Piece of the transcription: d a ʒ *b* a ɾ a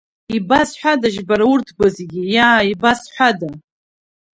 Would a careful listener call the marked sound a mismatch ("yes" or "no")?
no